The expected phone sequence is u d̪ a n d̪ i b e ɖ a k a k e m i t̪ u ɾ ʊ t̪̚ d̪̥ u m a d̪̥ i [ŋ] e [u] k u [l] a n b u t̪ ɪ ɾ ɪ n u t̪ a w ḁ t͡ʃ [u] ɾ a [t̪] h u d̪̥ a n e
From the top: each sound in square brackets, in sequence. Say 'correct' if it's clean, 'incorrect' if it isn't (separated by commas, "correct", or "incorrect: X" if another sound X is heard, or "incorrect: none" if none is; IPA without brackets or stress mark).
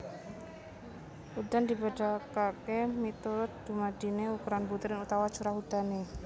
incorrect: n, correct, incorrect: ɾ, correct, incorrect: none